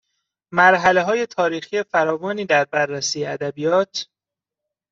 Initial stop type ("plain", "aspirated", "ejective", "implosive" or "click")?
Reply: aspirated